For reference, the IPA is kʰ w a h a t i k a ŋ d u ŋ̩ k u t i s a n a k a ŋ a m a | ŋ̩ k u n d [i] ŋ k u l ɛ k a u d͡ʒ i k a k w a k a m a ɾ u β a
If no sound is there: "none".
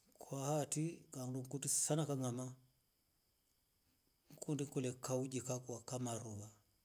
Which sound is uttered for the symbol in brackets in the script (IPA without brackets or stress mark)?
i